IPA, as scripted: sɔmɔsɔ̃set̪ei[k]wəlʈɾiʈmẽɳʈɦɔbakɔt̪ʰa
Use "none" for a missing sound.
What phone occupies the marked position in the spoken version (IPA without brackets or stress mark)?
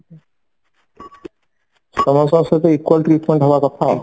k